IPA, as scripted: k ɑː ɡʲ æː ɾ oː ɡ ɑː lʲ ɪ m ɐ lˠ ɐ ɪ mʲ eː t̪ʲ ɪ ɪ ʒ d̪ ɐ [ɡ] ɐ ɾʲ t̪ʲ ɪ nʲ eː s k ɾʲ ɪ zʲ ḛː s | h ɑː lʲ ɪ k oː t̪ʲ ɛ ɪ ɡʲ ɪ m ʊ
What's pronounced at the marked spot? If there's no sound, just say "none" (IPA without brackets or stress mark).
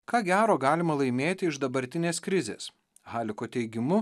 b